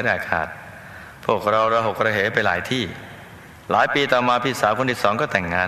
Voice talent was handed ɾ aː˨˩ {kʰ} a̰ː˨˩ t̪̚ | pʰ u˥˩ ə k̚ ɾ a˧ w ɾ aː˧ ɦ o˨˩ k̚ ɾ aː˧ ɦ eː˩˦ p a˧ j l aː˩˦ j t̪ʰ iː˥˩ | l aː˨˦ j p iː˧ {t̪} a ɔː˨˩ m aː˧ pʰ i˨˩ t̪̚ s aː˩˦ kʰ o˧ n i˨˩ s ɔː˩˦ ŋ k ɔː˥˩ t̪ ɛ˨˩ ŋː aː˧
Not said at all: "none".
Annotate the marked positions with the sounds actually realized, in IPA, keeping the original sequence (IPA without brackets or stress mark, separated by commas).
kʰ, t̪